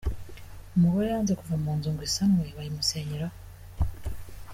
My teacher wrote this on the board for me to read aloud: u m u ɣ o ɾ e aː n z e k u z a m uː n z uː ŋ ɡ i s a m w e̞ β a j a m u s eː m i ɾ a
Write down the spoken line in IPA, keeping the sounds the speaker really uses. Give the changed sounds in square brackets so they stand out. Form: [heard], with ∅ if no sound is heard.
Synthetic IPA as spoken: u m u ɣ o ɾ e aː n z e k u [v] a m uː n z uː ŋ ɡ i s a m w e̞ β a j [i] m u s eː [ɲ] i ɾ a